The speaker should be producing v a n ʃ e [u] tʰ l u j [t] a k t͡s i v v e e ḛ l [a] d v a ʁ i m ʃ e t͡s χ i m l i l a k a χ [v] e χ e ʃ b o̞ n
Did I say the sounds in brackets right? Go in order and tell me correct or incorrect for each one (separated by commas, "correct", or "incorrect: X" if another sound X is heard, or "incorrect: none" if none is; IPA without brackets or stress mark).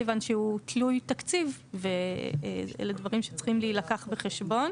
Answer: correct, correct, incorrect: e, incorrect: b